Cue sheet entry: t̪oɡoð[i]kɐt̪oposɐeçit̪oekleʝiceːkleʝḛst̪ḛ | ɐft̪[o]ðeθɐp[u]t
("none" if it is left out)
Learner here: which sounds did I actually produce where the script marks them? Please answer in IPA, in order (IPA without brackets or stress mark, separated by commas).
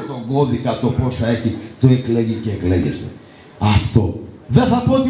i, o, o